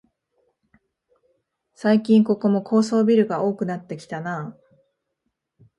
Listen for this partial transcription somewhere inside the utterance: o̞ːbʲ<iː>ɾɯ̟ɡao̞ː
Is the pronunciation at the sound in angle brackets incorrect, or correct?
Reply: incorrect